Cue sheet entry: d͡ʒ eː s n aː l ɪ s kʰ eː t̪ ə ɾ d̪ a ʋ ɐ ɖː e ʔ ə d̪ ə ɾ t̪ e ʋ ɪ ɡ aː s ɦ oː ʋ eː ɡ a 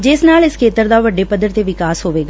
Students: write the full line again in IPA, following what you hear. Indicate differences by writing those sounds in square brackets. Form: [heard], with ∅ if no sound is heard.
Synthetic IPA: d͡ʒ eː s n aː l ɪ s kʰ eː t̪ ə ɾ d̪ a ʋ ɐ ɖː e [p] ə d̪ ə ɾ t̪ e ʋ ɪ [k] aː s ɦ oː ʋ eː ɡ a